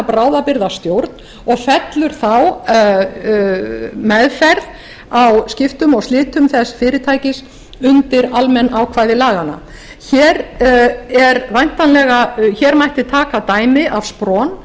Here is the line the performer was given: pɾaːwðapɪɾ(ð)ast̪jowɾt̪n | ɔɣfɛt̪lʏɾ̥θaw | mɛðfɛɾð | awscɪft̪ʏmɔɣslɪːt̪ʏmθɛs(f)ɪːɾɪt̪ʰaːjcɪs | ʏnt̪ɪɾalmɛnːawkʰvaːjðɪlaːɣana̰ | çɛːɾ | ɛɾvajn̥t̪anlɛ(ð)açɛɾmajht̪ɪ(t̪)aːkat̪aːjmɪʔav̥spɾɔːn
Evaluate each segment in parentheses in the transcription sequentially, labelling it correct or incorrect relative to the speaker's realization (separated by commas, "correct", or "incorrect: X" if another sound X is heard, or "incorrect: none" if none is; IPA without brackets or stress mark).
correct, correct, incorrect: ɣ, incorrect: t̪ʰ